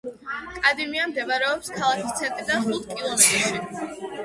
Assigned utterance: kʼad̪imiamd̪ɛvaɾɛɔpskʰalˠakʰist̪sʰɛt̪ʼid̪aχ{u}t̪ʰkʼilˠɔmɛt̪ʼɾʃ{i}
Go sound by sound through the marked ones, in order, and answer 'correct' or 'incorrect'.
correct, correct

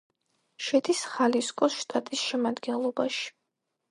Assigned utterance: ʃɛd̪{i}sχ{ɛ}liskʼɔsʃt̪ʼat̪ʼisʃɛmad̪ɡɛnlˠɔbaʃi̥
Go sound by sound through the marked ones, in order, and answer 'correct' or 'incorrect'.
correct, incorrect: a

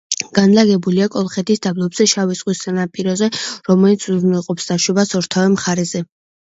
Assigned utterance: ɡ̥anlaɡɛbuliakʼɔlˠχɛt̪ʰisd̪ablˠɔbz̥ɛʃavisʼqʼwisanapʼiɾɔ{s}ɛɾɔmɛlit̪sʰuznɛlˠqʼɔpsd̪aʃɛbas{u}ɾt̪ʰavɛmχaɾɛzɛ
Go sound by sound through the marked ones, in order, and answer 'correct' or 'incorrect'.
incorrect: z, incorrect: ɔ

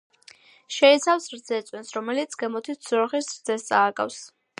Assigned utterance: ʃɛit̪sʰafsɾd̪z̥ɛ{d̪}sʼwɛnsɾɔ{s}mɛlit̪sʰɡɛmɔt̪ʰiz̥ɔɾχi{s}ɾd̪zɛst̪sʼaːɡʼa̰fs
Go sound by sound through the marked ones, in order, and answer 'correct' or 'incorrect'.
incorrect: t̪, incorrect: none, correct

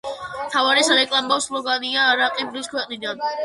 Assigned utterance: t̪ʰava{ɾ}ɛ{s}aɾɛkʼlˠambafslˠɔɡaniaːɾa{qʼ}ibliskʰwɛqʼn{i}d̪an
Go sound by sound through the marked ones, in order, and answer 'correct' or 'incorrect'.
correct, correct, correct, correct

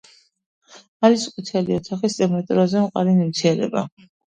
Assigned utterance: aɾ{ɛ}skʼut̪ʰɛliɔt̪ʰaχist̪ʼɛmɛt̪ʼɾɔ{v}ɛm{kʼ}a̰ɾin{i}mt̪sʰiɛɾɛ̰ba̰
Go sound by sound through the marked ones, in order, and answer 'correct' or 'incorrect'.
incorrect: i, incorrect: z, incorrect: qʼ, correct

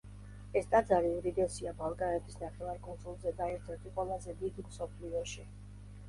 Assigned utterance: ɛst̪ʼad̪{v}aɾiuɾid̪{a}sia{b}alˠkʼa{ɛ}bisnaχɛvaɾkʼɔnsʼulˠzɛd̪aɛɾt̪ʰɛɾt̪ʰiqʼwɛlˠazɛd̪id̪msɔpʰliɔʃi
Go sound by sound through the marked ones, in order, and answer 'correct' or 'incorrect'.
incorrect: z, incorrect: ɛ, correct, correct

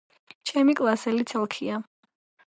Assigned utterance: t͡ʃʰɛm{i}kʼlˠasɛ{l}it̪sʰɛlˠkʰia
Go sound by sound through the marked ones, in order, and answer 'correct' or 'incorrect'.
correct, correct

